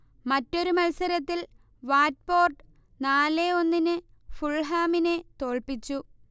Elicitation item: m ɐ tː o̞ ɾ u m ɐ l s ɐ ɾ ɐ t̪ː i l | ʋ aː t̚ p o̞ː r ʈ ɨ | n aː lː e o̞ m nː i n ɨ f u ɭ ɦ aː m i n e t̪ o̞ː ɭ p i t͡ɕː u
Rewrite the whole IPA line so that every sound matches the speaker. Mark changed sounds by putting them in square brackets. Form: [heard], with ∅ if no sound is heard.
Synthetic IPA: m ɐ tː o̞ ɾ u m ɐ l s ɐ ɾ ɐ t̪ː i l | ʋ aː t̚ p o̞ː r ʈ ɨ | n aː [l] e o̞ [∅] nː i n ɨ f u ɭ ɦ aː m i n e t̪ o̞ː ɭ p i t͡ɕː u